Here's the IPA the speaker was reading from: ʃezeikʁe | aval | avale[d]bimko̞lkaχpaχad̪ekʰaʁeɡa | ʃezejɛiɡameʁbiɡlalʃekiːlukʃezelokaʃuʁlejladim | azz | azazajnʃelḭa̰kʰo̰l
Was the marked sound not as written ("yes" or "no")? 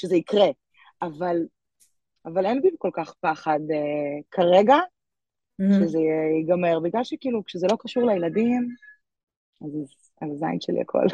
yes